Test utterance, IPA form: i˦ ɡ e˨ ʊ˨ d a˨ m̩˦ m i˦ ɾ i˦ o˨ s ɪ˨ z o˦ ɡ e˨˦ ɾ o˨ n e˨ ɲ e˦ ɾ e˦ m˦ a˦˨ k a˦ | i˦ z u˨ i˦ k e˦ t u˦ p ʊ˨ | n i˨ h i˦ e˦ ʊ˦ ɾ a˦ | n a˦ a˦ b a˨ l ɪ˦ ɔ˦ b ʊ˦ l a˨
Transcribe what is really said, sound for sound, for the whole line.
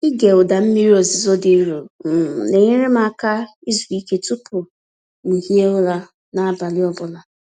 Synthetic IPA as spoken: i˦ ɡ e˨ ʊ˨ d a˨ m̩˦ m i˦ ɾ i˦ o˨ z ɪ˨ z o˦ d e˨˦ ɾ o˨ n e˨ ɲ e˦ ɾ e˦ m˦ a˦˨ k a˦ | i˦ z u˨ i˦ k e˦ t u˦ p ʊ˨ | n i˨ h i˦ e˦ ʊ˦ l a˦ | n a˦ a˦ b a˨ l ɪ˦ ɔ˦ b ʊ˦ l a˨